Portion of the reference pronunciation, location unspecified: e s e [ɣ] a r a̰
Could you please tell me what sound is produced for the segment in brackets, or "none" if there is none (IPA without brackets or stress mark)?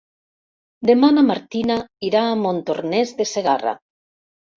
ɣ